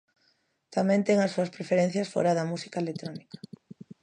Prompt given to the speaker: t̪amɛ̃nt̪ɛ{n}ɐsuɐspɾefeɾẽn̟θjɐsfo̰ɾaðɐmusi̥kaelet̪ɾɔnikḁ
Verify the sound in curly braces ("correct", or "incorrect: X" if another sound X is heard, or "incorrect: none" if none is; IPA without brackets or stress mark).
incorrect: ŋ